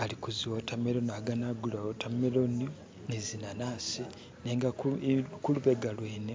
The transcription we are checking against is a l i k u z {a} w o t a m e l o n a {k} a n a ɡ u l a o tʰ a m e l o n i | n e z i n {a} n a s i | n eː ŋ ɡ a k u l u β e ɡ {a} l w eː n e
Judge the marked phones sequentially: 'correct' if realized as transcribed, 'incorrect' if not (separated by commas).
incorrect, incorrect, correct, correct